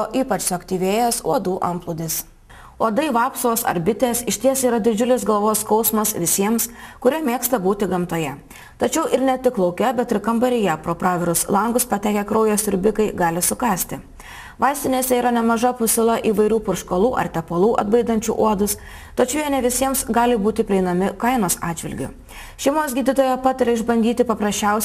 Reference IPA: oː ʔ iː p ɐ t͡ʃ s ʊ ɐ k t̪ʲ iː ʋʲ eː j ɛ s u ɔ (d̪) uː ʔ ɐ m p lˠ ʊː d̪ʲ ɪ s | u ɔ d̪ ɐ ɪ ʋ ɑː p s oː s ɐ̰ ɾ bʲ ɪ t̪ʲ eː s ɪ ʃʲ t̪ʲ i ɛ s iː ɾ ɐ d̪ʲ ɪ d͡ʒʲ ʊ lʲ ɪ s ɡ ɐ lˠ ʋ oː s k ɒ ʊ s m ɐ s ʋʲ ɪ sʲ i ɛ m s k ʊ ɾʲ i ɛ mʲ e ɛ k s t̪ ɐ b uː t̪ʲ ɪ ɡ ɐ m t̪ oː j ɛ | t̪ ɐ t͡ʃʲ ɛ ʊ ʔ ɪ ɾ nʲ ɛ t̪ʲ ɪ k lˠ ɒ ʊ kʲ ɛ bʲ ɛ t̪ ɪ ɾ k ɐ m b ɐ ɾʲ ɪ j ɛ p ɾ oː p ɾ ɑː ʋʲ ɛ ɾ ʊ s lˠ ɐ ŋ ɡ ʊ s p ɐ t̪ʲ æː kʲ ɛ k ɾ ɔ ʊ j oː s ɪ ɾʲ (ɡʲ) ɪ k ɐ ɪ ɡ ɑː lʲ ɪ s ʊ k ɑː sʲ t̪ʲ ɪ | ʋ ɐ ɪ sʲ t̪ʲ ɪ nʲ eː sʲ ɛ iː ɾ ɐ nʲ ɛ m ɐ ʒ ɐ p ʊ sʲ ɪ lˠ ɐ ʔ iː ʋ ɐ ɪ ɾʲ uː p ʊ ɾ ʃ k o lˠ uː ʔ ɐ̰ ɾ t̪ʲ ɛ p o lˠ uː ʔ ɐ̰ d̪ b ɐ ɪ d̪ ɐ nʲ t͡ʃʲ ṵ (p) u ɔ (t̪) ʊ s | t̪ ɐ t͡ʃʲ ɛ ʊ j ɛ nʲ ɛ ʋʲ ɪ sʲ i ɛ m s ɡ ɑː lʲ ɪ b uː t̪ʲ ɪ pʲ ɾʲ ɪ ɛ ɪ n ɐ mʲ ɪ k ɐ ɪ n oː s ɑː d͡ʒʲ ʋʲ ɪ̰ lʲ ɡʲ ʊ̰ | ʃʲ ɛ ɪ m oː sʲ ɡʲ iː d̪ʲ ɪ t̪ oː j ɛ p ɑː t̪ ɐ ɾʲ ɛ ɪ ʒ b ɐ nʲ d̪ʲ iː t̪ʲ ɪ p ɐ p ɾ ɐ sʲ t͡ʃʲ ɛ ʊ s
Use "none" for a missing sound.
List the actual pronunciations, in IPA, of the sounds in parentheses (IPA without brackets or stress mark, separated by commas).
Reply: d̪, bʲ, ʔ, d̪